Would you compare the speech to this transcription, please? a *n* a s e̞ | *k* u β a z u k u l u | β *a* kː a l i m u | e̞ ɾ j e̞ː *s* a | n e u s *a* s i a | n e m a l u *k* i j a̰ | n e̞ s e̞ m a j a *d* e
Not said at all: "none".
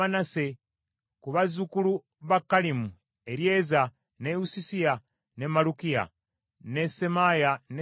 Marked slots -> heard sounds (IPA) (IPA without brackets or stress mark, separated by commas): n, k, a, z, i, k, n